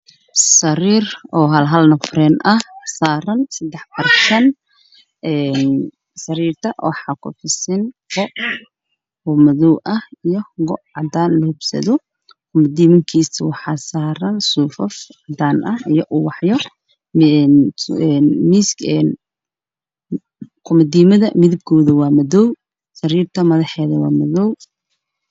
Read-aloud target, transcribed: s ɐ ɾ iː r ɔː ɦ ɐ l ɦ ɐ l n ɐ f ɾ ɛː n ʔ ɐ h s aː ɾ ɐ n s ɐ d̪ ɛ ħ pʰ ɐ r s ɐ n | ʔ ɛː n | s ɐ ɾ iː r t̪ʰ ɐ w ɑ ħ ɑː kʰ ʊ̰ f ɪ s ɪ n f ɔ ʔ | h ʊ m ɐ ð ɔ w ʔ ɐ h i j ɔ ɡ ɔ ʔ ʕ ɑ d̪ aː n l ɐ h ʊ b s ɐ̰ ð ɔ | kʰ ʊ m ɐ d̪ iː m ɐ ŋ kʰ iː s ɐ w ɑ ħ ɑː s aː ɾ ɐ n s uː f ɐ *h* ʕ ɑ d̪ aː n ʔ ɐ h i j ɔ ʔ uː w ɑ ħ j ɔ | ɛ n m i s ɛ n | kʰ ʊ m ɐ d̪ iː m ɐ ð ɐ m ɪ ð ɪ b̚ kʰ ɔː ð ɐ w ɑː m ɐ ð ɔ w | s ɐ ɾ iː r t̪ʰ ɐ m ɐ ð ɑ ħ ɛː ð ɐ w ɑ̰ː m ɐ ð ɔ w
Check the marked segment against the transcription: incorrect: f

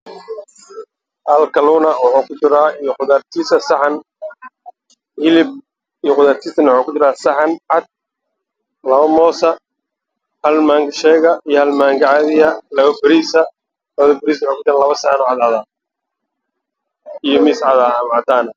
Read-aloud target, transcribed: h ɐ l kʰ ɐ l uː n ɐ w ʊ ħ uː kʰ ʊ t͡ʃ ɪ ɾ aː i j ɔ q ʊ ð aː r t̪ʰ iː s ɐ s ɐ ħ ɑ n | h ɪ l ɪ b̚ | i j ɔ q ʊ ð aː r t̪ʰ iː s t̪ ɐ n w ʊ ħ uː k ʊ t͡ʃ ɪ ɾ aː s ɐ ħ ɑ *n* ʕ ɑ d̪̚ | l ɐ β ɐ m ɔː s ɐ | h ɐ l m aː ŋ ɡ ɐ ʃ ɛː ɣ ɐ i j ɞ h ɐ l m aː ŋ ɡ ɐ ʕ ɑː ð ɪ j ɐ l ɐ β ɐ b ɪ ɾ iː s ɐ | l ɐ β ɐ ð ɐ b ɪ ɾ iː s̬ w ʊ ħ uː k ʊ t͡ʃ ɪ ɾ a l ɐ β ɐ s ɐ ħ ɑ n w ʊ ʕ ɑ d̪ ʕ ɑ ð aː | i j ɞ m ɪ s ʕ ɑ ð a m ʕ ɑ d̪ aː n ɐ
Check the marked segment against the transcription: correct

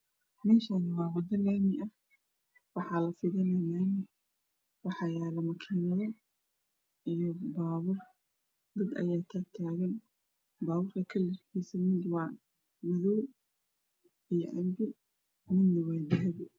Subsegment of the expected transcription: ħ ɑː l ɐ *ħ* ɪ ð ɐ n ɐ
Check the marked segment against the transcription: incorrect: f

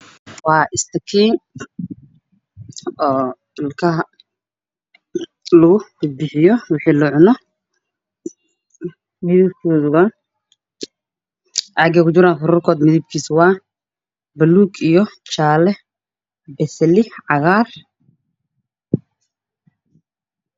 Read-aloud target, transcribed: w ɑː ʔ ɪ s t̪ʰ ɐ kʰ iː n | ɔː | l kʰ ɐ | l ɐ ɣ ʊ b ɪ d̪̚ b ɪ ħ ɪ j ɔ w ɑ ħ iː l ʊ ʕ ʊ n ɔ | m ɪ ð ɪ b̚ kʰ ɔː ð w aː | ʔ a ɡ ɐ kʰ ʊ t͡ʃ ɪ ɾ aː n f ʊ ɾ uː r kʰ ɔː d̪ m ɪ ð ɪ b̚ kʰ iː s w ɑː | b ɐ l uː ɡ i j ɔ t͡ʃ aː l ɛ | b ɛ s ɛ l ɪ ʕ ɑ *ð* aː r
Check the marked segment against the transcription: incorrect: ɣ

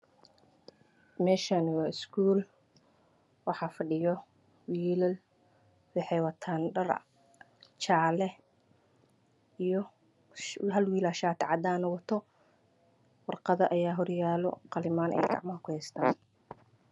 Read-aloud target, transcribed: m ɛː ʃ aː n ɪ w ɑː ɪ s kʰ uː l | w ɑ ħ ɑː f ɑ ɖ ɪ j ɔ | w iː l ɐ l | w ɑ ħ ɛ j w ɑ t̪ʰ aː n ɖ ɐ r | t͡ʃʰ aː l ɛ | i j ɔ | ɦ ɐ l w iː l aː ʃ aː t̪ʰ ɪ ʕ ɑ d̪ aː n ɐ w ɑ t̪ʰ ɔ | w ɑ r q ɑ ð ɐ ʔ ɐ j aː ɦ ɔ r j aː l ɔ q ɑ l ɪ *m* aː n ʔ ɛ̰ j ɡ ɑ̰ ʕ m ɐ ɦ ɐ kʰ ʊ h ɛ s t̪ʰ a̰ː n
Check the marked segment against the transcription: correct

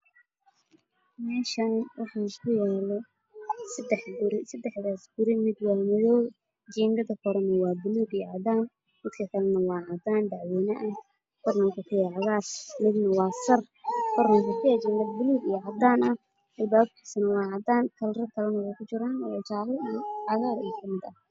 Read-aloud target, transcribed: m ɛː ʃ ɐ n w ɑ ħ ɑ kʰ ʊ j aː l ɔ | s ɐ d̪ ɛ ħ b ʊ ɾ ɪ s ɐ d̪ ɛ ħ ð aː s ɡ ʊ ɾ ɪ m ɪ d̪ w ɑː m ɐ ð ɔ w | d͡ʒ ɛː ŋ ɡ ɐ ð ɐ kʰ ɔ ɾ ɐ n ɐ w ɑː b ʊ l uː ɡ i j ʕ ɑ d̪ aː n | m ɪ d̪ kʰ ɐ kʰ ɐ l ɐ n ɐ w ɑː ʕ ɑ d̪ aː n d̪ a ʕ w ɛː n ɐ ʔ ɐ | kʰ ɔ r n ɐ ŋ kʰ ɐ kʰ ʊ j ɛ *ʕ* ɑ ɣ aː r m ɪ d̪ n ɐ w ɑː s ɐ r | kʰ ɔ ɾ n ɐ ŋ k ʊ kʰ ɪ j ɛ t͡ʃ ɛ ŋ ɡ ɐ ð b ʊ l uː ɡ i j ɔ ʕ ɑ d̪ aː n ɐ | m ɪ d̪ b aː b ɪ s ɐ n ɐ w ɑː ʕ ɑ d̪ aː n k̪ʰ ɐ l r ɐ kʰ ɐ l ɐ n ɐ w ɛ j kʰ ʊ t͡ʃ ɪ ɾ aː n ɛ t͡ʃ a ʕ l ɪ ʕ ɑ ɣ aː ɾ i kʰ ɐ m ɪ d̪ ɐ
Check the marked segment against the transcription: correct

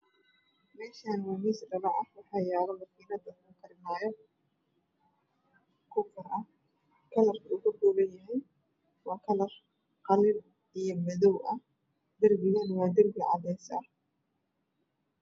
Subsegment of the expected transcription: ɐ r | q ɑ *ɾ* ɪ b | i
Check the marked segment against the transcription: incorrect: l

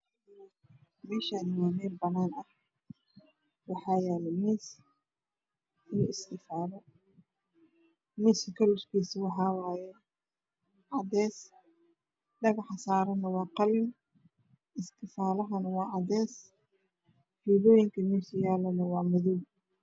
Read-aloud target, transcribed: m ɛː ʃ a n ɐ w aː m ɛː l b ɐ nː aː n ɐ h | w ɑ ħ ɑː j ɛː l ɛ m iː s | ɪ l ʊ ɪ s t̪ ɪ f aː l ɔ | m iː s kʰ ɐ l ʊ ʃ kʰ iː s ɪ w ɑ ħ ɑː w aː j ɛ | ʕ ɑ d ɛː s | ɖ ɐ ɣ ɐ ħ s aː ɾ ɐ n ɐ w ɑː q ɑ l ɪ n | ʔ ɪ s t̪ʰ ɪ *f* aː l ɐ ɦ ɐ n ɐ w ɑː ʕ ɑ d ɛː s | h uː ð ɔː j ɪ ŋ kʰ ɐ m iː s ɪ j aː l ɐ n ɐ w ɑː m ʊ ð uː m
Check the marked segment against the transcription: correct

